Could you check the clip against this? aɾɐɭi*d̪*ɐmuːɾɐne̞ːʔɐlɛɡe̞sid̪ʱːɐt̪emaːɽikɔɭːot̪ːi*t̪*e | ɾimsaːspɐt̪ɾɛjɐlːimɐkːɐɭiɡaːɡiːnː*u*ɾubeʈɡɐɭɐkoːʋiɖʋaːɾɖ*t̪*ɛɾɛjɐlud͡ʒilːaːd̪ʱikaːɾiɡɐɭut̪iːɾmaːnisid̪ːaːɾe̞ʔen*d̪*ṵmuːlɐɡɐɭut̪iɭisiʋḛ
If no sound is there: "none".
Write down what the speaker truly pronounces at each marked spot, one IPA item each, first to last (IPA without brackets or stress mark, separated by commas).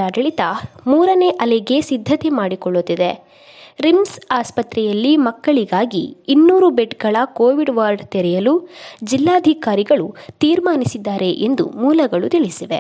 t̪, d̪, uː, t̪, d̪